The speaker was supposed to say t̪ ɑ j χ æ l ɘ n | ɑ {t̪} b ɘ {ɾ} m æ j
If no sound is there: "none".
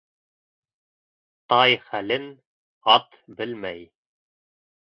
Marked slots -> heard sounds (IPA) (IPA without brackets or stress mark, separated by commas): t̪, l